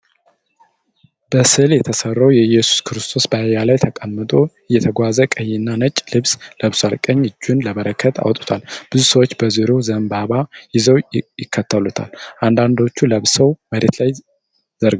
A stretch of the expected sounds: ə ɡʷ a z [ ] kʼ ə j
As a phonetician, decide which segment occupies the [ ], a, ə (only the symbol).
ə